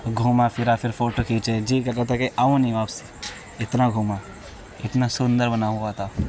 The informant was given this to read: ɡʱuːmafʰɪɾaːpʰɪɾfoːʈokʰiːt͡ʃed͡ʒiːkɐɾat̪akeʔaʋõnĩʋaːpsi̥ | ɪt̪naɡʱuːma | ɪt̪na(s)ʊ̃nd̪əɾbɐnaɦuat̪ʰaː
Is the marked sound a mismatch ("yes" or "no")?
no